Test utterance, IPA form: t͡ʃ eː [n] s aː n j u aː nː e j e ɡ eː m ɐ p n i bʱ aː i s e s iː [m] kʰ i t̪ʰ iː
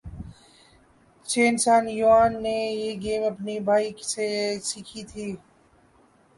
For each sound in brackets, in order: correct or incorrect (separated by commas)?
correct, incorrect